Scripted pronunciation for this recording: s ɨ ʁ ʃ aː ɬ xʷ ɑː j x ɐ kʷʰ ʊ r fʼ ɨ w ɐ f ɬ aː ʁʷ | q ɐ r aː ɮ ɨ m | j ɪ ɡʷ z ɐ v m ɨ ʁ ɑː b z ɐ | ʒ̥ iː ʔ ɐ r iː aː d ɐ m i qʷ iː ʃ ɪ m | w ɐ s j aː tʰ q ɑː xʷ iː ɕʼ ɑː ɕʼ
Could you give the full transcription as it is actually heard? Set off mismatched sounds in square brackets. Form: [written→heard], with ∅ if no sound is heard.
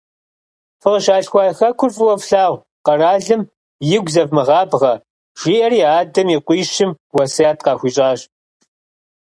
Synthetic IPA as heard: [s→f] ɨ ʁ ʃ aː ɬ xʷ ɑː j x ɐ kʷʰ ʊ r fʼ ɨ w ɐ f ɬ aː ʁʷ | q ɐ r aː ɮ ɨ m | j ɪ ɡʷ z ɐ v m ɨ ʁ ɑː b [z→ʁ] ɐ | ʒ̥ iː ʔ ɐ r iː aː d ɐ m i qʷ iː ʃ ɪ m | w ɐ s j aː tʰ q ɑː xʷ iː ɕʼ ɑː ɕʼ